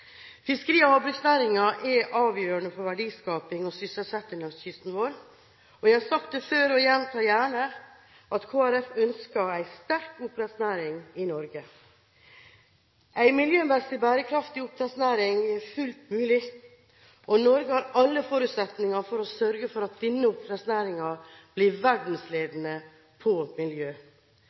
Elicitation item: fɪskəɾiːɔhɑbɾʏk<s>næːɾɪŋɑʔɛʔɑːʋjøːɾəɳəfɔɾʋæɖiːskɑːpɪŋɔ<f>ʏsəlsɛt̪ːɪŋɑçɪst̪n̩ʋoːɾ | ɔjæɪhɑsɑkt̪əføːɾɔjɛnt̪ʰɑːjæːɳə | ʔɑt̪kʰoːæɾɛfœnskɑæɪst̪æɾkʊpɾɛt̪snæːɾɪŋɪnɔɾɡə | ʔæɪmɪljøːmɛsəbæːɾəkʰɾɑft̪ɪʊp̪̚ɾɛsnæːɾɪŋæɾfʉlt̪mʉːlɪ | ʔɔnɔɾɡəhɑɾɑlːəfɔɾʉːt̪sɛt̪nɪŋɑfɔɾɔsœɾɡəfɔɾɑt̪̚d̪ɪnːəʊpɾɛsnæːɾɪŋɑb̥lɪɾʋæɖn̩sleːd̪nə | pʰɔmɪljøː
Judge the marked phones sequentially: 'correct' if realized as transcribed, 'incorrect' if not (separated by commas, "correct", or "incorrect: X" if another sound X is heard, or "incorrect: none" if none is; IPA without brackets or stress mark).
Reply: correct, incorrect: s